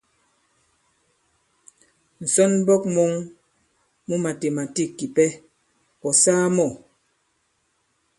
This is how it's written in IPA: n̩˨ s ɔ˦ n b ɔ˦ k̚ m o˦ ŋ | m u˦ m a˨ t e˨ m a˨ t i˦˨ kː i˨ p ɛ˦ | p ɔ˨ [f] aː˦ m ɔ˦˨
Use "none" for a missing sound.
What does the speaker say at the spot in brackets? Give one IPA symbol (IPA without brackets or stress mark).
s